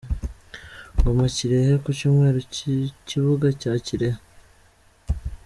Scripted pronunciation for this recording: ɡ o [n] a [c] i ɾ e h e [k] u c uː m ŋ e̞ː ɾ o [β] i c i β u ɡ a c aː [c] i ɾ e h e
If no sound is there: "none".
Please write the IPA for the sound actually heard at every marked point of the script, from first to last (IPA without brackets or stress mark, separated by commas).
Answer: m, c, k, none, c